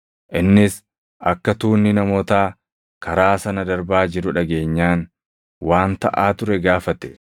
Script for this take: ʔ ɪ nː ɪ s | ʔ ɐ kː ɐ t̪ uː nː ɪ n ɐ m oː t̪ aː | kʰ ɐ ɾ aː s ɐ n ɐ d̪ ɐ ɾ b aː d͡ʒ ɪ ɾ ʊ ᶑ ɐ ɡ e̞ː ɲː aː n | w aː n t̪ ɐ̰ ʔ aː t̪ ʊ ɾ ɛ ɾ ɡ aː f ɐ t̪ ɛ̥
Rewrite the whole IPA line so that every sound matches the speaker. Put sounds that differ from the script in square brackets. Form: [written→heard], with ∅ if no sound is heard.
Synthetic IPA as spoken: ʔ ɪ nː ɪ s | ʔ ɐ kː ɐ t̪ uː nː ɪ n ɐ m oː t̪ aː | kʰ ɐ ɾ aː s ɐ n ɐ d̪ ɐ ɾ b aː d͡ʒ ɪ ɾ ʊ ᶑ ɐ ɡ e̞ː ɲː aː n | w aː n t̪ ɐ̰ ʔ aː t̪ ʊ ɾ ɛ [ɾ→∅] ɡ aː f ɐ t̪ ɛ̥